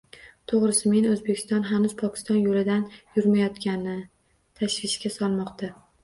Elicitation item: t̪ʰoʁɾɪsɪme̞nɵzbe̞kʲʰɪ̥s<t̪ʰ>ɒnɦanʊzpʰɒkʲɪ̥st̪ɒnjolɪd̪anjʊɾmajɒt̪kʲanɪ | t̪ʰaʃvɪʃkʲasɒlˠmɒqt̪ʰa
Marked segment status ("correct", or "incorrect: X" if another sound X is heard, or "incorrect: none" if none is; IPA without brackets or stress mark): incorrect: t̪